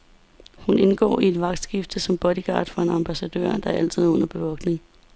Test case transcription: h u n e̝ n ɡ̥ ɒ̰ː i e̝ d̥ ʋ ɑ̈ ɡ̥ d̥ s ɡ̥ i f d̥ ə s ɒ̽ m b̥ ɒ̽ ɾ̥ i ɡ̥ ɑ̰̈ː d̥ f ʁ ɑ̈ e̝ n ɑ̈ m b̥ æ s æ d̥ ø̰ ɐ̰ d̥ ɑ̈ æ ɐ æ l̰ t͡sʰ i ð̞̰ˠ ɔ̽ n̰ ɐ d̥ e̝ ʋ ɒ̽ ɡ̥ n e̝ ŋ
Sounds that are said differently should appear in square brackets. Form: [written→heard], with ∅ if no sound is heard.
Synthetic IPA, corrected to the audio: h u n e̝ n ɡ̥ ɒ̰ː i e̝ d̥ ʋ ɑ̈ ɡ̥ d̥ s ɡ̥ i f d̥ ə s ɒ̽ m b̥ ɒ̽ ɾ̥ i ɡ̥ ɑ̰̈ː d̥ f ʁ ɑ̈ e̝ n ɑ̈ m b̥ æ s æ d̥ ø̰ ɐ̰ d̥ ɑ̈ æ ɐ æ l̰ t͡sʰ i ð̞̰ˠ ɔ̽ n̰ ɐ [d̥→b̥] e̝ ʋ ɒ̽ ɡ̥ n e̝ ŋ